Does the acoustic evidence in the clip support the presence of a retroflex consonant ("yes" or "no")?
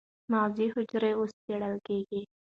yes